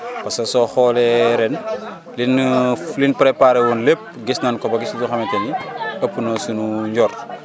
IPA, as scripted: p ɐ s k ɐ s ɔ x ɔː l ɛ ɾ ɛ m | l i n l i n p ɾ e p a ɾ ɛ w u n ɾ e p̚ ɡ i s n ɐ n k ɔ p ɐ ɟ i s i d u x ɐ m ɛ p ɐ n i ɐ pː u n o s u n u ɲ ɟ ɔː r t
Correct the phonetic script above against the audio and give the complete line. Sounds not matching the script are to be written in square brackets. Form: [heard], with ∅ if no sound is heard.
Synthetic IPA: p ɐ s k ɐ s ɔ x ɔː l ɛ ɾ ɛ [n] | l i n l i n p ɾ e p a ɾ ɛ w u n [l] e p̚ ɡ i s n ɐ n k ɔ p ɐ [ɡ] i s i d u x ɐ m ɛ [t] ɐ n i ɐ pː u n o s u n u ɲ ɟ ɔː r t